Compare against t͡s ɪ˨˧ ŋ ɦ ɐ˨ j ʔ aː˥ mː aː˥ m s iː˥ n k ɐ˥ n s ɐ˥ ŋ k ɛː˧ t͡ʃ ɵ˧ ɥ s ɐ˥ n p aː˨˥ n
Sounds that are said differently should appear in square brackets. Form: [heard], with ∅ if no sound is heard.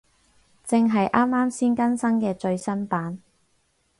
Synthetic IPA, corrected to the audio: t͡s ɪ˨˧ ŋ ɦ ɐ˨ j ʔ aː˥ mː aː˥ m s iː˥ n k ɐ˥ n s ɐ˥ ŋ k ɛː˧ t͡ʃ ɵ˧ ɥ s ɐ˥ n p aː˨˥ n